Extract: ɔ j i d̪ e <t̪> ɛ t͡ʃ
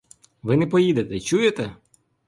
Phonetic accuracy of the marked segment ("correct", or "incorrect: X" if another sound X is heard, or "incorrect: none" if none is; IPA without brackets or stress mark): correct